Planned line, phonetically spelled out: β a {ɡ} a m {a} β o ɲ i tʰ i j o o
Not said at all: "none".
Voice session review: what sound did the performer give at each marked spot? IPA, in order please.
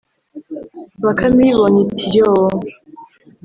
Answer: k, i

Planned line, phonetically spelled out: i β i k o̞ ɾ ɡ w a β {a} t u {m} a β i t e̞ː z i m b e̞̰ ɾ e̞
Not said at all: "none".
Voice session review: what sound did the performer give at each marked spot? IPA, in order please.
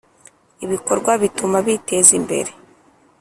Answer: i, m

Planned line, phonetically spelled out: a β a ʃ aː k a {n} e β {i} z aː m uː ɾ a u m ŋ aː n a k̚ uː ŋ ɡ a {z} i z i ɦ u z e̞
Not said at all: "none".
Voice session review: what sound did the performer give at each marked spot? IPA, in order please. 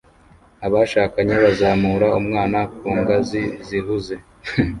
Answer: ɲ, a, z

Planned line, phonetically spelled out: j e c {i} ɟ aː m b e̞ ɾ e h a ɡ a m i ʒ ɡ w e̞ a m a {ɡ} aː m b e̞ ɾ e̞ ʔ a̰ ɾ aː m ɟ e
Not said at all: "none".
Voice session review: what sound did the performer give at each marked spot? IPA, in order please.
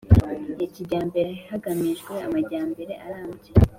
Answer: i, ɟ

